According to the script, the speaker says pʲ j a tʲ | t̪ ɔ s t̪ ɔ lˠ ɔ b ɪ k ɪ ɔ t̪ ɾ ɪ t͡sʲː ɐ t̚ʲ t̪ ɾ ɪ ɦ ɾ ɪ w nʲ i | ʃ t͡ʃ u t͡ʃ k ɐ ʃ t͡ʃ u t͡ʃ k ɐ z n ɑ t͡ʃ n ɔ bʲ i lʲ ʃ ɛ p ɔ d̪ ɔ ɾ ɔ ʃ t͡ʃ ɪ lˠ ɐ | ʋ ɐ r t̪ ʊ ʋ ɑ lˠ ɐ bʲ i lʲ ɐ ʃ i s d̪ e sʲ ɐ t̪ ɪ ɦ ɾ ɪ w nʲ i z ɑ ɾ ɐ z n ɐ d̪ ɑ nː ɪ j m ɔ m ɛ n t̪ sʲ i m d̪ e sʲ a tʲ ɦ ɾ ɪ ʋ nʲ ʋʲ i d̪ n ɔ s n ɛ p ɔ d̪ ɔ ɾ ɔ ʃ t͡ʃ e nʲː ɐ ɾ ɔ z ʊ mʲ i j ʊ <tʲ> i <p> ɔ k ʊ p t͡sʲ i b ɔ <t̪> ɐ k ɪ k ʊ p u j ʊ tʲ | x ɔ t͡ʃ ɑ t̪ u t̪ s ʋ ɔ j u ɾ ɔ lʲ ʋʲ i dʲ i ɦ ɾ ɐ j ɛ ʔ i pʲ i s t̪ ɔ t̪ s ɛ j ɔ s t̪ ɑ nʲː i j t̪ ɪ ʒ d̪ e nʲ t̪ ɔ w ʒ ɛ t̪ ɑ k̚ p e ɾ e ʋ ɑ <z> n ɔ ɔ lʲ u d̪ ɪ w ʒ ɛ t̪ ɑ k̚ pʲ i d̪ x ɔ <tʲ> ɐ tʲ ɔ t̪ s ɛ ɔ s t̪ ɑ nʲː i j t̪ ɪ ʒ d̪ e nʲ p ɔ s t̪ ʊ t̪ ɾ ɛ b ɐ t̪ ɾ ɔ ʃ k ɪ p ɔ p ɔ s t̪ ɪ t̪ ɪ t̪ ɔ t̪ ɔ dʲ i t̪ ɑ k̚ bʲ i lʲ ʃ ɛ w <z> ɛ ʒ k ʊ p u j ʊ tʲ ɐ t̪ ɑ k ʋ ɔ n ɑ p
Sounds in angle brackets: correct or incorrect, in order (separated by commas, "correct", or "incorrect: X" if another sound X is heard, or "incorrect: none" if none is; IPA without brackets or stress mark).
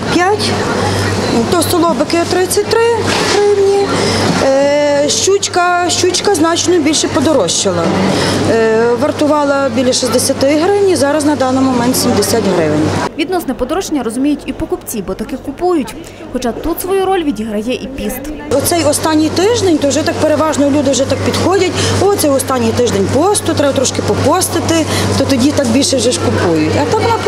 correct, correct, correct, incorrect: ʒ, incorrect: dʲ, incorrect: ʒ